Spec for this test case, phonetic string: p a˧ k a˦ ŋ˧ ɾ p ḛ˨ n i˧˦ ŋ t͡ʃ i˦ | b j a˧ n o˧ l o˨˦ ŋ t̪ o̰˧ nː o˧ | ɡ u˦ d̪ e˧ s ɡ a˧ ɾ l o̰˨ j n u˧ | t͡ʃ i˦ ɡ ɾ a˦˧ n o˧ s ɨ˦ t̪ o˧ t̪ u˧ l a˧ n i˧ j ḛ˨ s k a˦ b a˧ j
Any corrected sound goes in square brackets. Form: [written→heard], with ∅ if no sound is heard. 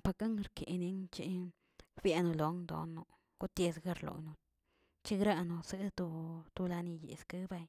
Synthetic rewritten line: p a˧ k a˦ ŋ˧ ɾ [p→k] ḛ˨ n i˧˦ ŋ t͡ʃ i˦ | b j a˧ n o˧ l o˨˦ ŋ [t̪→d̪] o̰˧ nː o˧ | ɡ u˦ [d̪→t̪] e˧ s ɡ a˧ ɾ l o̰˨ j n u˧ | t͡ʃ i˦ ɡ ɾ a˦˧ n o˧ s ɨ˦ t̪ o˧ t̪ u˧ l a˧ n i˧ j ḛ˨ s k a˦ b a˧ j